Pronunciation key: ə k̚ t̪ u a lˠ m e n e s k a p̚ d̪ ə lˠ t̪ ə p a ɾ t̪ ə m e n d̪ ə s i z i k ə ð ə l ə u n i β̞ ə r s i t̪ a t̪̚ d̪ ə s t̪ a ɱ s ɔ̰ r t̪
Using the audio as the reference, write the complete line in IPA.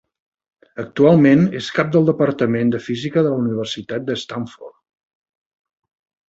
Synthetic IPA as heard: ə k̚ t̪ u a lˠ m e n e s k a p̚ d̪ ə lˠ d̪ ə p ə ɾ t̪ ə m e n d̪ ə f i z i k ə ð ə l ə u n i β̞ ə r s i t̪ a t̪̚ d̪ ə s t̪ a ɱ f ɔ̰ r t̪